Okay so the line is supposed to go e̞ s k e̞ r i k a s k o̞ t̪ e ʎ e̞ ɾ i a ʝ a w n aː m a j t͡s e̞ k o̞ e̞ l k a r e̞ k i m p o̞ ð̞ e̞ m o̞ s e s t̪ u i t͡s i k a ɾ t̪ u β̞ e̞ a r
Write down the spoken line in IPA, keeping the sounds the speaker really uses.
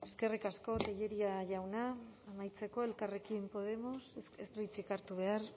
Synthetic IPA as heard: e̞ s k e̞ r i k a s k o̞ t̪ e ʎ e̞ ɾ i a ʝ a w n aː m a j t͡s e̞ k o̞ e̞ l k a r e̞ k i m p o̞ ð̞ e̞ m o̞ s e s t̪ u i t͡s i k a ɾ t̪ u β̞ e̞ a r